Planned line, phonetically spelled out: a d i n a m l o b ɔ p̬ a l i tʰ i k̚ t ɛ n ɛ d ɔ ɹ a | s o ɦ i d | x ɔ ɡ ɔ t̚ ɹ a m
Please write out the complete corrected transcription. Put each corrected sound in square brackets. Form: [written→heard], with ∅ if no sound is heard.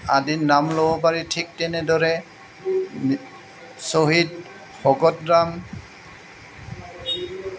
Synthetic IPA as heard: a d i n a m l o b ɔ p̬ a [l→ɹ] i tʰ i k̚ t ɛ n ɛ d ɔ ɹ [a→ɛ] | s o ɦ i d | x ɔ ɡ ɔ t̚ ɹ a m